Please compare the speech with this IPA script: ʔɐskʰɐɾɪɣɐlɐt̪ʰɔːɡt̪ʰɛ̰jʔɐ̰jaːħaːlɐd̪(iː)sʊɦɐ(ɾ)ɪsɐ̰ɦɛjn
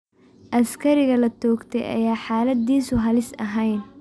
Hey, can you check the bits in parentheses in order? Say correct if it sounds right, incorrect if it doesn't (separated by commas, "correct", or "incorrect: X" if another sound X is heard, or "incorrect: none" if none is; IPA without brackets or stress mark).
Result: correct, incorrect: l